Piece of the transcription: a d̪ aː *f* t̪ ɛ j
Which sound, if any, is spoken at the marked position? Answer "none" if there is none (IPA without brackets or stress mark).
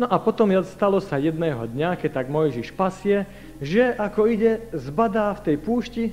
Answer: f